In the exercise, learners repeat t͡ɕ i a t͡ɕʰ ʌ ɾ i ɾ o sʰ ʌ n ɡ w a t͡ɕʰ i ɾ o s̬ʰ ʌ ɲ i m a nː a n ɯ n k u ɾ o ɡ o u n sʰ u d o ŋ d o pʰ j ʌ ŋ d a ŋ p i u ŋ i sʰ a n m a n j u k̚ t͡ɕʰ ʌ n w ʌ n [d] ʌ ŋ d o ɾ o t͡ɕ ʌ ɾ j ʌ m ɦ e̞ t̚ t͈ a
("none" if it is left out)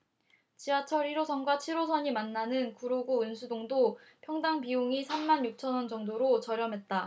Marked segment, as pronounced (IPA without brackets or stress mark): d͡ʑ